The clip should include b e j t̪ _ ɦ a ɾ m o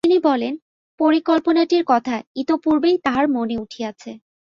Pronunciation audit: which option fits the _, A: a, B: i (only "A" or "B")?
A